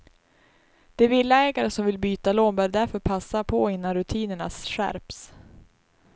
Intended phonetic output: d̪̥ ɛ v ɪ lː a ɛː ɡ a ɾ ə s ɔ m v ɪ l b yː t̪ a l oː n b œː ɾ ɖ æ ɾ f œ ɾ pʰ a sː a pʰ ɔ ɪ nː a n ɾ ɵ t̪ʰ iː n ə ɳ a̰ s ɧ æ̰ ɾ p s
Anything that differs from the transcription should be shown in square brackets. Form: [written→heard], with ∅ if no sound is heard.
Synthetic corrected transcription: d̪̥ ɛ v ɪ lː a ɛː ɡ a ɾ ə s ɔ m v ɪ l b yː t̪ a l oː n b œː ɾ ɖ æ ɾ f œ ɾ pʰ a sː a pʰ ɔ ɪ nː a n ɾ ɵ t̪ʰ iː n ə ɳ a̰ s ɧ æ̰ ɾ p s